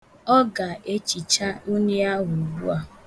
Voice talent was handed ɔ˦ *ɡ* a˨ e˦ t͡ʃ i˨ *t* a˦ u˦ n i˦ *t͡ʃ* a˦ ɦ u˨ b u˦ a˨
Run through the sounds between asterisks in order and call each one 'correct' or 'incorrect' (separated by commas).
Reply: correct, incorrect, incorrect